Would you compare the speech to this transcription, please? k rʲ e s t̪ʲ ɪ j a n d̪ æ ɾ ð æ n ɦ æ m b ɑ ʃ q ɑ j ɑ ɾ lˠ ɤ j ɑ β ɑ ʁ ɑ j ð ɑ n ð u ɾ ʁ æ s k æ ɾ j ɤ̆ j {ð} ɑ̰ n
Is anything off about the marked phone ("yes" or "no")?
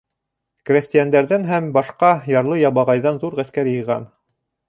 yes